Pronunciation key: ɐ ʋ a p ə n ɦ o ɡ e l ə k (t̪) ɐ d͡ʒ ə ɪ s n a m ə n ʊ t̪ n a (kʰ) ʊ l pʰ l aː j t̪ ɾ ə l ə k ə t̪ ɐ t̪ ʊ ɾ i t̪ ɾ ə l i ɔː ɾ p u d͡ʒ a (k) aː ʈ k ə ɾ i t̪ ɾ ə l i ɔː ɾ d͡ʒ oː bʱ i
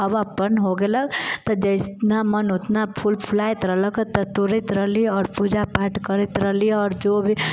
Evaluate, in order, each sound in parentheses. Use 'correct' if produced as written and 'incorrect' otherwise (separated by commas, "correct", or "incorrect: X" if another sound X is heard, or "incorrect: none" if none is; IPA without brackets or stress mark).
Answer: correct, incorrect: pʰ, incorrect: p